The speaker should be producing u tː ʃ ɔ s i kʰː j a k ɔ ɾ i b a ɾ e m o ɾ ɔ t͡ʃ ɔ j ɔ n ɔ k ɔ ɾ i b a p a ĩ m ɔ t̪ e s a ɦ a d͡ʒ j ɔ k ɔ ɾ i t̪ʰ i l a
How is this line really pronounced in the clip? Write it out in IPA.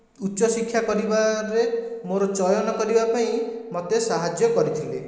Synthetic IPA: u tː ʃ ɔ s i kʰː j a k ɔ ɾ i b a ɾ e m o ɾ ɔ t͡ʃ ɔ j ɔ n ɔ k ɔ ɾ i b a p a ĩ m ɔ t̪ e s a ɦ a d͡ʒ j ɔ k ɔ ɾ i t̪ʰ i l e